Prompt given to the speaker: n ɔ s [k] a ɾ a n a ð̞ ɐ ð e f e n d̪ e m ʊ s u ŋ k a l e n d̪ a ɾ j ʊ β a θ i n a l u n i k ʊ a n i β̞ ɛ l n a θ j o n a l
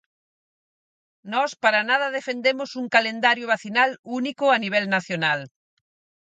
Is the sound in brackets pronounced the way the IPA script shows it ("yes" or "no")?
no